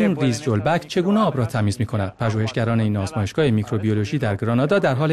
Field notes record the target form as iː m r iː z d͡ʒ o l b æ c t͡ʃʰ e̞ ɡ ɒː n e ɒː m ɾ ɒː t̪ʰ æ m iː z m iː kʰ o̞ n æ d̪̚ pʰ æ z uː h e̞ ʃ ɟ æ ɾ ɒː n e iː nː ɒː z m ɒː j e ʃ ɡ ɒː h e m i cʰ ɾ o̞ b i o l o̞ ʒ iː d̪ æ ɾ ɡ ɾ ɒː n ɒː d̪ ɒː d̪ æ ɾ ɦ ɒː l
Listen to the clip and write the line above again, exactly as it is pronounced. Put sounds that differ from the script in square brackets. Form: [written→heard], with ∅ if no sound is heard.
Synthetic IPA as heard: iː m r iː z d͡ʒ o l b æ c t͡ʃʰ e̞ ɡ [ɒː→uː] n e ɒː [m→b] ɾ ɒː t̪ʰ æ m iː z m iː kʰ o̞ n æ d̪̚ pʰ æ [z→ʒ] uː h e̞ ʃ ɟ æ ɾ ɒː n e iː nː ɒː z m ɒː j e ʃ ɡ ɒː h e m i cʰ ɾ o̞ b i o l o̞ ʒ iː d̪ æ ɾ ɡ ɾ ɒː n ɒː d̪ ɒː d̪ æ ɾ ɦ ɒː l